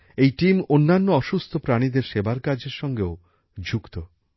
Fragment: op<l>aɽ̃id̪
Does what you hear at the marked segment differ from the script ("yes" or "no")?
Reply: yes